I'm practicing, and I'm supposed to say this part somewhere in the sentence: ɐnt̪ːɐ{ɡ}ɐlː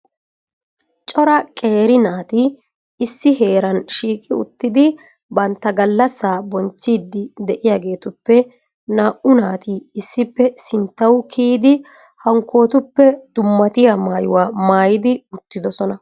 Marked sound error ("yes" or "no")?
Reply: no